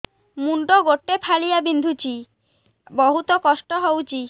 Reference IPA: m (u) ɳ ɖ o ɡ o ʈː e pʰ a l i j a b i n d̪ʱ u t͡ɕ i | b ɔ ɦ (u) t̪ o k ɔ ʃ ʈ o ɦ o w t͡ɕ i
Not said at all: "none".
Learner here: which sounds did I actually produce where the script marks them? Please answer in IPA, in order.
u, u

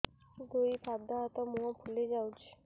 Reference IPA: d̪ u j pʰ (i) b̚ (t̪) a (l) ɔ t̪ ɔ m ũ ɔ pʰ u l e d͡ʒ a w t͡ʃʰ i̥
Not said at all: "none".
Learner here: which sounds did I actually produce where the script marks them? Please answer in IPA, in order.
a, d̪, none

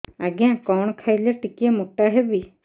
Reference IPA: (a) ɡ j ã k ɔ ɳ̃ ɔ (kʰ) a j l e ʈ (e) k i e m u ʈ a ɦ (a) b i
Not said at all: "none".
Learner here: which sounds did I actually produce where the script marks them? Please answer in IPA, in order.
a, kʰ, i, e

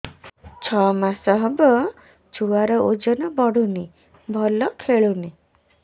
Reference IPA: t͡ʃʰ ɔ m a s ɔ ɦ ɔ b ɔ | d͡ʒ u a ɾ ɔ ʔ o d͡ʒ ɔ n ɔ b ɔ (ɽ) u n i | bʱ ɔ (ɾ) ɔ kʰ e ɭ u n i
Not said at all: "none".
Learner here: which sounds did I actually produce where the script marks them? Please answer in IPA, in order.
ɽ, l

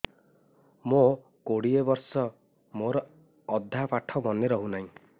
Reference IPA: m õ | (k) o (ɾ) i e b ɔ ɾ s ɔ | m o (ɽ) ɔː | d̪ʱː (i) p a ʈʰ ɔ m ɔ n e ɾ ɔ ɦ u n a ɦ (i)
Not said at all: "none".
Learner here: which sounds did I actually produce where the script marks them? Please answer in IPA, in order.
k, ɽ, ɾ, a, ĩ

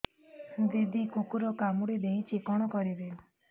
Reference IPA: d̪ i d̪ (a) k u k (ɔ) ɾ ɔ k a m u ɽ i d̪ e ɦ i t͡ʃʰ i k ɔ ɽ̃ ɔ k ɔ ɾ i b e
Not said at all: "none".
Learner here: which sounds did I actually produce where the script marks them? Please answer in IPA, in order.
i, u

